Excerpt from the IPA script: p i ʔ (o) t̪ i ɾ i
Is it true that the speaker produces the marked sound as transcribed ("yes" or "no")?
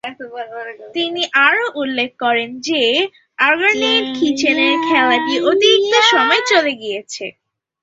yes